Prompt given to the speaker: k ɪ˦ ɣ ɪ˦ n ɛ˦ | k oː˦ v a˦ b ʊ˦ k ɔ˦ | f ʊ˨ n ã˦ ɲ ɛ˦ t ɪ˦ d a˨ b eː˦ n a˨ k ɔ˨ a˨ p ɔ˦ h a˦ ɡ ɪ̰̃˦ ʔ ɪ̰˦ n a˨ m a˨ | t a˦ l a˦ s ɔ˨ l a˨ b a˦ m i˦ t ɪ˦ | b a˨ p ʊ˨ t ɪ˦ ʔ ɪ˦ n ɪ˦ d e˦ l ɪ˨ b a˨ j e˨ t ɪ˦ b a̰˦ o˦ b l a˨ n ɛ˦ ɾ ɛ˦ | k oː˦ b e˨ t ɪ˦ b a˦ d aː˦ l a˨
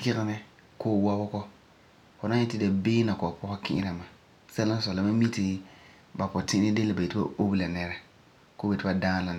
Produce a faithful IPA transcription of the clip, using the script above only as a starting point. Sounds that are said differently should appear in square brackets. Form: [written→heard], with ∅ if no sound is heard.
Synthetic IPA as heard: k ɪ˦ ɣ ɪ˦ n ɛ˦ | k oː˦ [v→w] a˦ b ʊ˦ k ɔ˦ | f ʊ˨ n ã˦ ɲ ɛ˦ t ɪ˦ d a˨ b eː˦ n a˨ k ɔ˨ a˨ p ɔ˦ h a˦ [ɡ→k] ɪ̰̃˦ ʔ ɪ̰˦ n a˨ m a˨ | [t→s] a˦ l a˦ s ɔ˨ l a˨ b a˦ m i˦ t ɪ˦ | b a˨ p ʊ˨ t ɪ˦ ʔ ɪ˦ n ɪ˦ d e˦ l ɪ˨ b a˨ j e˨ t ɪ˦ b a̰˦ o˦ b l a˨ n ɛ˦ ɾ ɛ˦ | k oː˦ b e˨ t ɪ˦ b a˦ d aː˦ l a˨